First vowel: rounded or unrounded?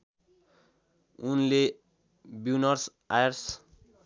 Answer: rounded